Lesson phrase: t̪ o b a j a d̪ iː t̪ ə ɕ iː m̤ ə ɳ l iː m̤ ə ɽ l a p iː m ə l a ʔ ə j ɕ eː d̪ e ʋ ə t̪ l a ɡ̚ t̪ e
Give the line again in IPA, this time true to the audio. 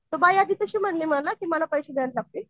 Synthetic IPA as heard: t̪ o b a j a d̪ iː t̪ ə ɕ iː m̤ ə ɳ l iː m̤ ə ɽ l a k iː m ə l a p ə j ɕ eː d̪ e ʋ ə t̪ l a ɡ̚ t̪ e